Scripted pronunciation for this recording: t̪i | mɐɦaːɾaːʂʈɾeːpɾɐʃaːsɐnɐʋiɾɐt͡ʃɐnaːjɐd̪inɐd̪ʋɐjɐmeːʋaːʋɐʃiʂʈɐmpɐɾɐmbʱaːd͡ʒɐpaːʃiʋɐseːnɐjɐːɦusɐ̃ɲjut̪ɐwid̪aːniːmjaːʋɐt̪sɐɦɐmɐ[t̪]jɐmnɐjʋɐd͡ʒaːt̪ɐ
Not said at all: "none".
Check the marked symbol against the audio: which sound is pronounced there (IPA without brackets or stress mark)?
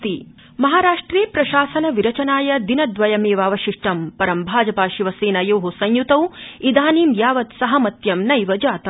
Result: t̪